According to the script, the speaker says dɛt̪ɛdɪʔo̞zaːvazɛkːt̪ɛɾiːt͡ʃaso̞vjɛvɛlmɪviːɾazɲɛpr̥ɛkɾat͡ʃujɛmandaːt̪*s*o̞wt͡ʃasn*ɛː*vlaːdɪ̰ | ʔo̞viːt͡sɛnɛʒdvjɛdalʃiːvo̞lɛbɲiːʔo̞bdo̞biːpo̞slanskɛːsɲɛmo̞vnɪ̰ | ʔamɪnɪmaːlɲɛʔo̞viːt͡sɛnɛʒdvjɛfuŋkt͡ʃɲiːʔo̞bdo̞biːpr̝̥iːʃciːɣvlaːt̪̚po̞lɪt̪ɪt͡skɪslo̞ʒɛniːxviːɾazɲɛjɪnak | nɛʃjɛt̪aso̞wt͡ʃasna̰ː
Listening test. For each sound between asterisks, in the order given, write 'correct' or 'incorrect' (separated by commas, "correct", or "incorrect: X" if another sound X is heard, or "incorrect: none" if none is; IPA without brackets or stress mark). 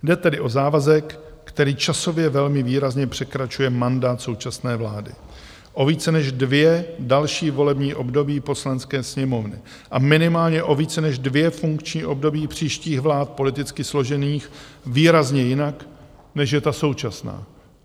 correct, correct